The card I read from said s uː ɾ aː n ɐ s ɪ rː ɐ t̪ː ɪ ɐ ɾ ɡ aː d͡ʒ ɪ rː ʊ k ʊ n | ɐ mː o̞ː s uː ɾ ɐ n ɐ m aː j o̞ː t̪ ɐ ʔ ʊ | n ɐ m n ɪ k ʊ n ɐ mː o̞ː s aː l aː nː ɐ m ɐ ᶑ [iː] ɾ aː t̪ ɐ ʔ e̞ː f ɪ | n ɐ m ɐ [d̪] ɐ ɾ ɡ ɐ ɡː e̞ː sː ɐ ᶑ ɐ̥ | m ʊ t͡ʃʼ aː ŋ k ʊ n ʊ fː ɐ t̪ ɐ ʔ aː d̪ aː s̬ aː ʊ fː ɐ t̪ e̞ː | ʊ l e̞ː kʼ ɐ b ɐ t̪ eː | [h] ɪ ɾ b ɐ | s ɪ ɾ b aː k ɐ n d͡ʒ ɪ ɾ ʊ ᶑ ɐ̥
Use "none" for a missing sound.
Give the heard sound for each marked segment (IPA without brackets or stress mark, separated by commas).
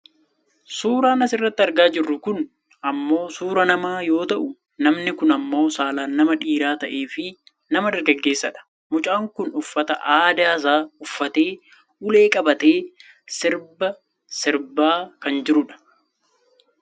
iː, d̪, s